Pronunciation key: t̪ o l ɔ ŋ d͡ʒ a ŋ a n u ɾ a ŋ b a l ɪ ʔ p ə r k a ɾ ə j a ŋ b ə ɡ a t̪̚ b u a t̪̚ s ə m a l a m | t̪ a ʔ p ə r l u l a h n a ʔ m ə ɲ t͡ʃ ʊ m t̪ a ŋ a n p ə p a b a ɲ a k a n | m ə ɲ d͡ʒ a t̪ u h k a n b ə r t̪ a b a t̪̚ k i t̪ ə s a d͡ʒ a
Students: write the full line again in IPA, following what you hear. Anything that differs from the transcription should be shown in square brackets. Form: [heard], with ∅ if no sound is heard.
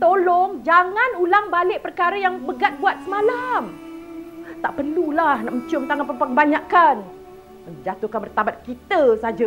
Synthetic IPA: t̪ o l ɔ ŋ d͡ʒ a ŋ a n u [l] a ŋ b a l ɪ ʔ p ə r k a ɾ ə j a ŋ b ə ɡ a t̪̚ b u a t̪̚ s ə m a l a m | t̪ a ʔ p ə r l u l a h n a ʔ m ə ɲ t͡ʃ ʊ m t̪ a ŋ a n p ə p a b a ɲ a k a n | m ə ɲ d͡ʒ a t̪ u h k a n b ə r t̪ a b a t̪̚ k i t̪ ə s a d͡ʒ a

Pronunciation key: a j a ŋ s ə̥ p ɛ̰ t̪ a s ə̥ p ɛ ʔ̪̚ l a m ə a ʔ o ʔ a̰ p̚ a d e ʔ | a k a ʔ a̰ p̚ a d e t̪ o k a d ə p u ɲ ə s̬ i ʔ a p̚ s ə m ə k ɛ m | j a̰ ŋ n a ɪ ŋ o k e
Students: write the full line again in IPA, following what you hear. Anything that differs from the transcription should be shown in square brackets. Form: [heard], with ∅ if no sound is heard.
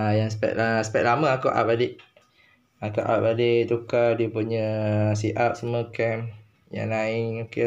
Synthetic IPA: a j a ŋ s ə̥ p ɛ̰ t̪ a s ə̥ p ɛ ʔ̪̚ l a m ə a [k] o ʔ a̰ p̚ a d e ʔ | a k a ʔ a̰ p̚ a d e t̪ [u] k a d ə p u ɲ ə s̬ i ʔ a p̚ s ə m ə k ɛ m | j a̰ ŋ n a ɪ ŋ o k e

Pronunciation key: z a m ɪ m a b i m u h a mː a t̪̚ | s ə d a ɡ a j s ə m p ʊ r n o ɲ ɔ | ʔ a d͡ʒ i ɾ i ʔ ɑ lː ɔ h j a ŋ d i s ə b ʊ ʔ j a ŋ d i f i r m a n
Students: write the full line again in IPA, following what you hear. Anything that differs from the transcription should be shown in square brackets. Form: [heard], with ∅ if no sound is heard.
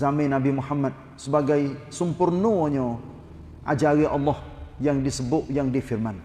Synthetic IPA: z a m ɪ [n] a b i m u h a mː a t̪̚ | s ə [b] a ɡ a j s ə m p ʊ r n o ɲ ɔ | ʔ a d͡ʒ [a] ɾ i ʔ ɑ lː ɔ h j a ŋ d i s ə b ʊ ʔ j a ŋ d i f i r m a n

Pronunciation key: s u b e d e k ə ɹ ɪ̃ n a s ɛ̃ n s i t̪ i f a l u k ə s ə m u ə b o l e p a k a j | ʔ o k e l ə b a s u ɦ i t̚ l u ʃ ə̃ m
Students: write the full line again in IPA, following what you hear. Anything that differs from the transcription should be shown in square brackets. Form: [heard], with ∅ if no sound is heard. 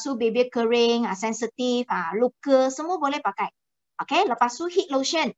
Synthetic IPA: s u b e [b] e k ə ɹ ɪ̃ [ŋ] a s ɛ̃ n s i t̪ i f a l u k ə s ə m u ə b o l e p a k a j | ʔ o k e l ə [p] a s u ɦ i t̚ l [o] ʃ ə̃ [n]

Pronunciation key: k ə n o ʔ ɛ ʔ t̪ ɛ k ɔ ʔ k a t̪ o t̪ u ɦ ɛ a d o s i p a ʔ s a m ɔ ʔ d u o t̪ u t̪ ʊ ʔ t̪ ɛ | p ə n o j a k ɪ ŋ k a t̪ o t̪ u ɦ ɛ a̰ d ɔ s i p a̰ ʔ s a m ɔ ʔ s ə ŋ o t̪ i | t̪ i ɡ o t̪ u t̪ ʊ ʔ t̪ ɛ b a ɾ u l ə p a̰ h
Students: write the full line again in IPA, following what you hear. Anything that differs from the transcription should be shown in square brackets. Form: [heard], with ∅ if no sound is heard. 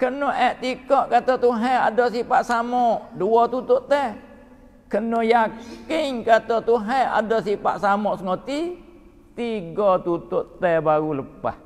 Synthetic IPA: k ə n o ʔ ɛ ʔ t̪ [i] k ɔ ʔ k a t̪ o t̪ u ɦ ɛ a d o s i p a ʔ s a m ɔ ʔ d u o t̪ u t̪ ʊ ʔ t̪ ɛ | [k] ə n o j a k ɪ ŋ k a t̪ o t̪ u ɦ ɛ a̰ d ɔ s i p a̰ ʔ s a m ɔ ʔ s ə ŋ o t̪ i | t̪ i ɡ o t̪ u t̪ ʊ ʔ t̪ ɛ b a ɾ u l ə p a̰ h

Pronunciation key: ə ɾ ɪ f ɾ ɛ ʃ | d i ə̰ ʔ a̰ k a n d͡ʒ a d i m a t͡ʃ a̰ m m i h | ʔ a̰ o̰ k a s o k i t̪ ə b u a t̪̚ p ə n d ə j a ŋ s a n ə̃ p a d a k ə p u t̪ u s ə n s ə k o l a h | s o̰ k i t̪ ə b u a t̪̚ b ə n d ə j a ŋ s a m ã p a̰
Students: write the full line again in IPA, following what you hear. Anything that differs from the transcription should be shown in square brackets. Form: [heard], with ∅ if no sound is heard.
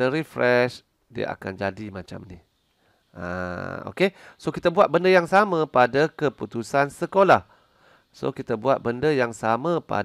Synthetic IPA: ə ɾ [i] f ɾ ɛ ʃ | d i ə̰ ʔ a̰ k a n d͡ʒ a d i m a t͡ʃ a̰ m [n] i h | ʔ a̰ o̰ k [e] s o k i t̪ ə b u a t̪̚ [b] ə n d ə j a ŋ s a [m] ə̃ p a d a k ə p u t̪ u s [a] n s ə k o l a h | s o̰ k i t̪ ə b u a t̪̚ b ə n d ə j a ŋ s a m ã p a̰

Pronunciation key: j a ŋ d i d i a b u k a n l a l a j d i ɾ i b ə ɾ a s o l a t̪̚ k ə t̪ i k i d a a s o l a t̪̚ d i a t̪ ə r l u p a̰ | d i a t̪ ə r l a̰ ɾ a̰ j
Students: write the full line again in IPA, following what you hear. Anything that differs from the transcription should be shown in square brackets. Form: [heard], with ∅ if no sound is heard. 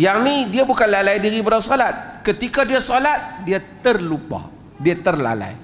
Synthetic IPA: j a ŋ [n] i d i a b u k a n l a l a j d i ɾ i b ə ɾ a s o l a t̪̚ k ə t̪ i k [a] d [i] a s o l a t̪̚ d i a t̪ ə r l u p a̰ | d i a t̪ ə r l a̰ [l] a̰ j

